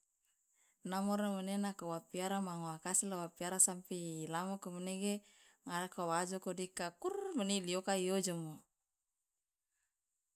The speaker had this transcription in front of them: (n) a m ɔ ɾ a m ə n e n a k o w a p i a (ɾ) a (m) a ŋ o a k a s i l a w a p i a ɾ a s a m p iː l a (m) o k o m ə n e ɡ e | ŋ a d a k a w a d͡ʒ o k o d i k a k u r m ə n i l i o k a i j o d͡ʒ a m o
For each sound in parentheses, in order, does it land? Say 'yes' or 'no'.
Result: yes, yes, yes, yes

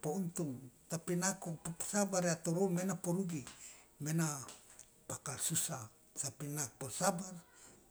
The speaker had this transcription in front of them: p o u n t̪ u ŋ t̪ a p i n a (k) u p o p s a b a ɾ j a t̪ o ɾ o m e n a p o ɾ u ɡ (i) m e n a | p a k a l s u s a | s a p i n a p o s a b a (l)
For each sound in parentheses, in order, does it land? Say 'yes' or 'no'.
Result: yes, yes, no

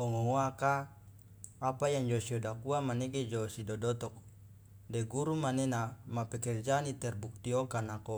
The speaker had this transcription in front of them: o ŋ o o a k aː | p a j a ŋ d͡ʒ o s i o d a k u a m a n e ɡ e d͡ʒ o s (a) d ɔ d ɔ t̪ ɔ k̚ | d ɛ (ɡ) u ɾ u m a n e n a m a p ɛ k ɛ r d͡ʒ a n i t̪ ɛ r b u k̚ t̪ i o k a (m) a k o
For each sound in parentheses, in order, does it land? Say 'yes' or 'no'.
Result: no, yes, no

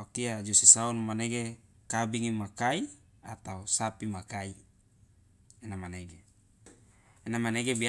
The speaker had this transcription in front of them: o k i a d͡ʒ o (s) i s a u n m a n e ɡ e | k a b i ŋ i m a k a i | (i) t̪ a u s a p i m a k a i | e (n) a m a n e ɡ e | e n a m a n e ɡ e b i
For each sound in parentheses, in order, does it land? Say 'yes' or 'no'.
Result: yes, no, yes

